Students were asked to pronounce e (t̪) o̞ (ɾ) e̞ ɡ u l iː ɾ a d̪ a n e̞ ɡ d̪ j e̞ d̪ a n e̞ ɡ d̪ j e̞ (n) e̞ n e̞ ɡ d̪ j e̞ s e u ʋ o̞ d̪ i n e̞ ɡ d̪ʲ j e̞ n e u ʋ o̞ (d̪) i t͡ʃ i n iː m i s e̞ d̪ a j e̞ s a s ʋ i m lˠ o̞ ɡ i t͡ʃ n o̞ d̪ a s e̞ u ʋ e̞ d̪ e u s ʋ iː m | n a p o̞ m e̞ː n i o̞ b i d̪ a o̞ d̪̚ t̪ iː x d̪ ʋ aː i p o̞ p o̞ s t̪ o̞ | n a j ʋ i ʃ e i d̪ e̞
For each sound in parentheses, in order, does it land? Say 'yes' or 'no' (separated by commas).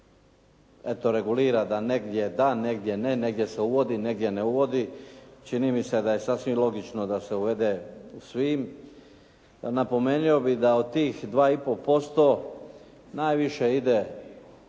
yes, yes, yes, yes